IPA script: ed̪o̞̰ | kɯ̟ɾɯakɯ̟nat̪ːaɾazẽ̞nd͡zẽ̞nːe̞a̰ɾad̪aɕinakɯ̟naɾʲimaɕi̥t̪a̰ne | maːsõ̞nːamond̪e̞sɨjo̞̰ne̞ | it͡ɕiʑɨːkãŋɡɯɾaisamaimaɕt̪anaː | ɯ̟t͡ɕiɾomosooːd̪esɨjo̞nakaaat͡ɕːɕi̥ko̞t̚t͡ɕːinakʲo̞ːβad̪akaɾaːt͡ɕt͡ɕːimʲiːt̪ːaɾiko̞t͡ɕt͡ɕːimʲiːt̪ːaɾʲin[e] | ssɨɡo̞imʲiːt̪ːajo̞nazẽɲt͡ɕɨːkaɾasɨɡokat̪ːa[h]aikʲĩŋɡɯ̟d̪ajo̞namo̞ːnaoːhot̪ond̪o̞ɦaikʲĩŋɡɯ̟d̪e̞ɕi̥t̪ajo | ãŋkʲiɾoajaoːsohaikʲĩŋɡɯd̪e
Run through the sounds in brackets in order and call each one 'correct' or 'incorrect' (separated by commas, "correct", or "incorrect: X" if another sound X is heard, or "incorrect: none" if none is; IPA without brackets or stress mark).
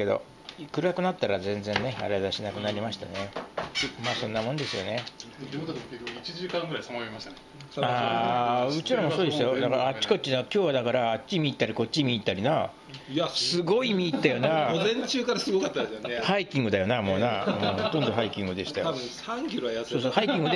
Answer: incorrect: a, correct